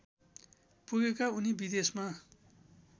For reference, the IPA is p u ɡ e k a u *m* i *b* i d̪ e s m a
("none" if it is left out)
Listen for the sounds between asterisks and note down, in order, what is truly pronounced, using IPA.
n, b

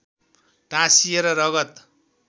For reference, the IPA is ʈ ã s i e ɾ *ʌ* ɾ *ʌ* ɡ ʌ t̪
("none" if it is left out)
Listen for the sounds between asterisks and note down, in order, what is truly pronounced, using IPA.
ʌ, ʌ

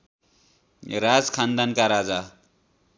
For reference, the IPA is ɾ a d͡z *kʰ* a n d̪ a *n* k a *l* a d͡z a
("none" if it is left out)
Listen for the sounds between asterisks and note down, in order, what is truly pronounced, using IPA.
kʰ, n, ɾ

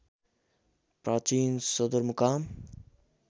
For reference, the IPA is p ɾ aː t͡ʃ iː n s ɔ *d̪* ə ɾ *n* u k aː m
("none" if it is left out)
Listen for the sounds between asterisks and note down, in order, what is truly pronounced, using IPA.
d̪, m

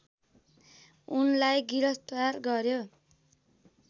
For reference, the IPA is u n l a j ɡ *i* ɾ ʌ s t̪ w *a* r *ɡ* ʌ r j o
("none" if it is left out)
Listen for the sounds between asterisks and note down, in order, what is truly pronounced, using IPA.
i, a, ɡ

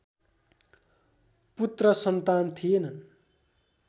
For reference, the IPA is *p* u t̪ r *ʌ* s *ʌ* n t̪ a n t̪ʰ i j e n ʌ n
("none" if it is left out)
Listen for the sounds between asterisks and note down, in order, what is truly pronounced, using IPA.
p, ʌ, ʌ

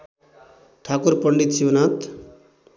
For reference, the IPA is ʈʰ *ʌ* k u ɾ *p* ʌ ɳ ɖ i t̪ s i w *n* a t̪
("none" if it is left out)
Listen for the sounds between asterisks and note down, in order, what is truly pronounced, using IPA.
a, p, n

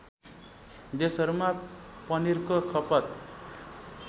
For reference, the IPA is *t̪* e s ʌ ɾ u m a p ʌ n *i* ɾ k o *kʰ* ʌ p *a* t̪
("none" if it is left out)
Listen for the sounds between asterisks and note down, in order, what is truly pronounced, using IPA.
d̪, i, kʰ, ʌ

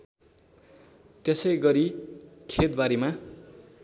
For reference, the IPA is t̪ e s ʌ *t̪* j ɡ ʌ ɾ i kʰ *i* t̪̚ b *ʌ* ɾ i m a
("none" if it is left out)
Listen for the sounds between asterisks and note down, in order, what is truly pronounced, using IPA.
none, e, a

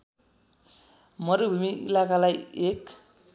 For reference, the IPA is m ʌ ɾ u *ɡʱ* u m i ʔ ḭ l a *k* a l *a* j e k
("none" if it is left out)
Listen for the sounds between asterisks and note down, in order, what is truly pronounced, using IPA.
bʱ, k, a

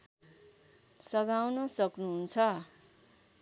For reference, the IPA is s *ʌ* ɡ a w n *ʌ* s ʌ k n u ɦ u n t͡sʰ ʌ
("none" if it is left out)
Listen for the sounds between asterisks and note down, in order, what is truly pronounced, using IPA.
ʌ, ʌ

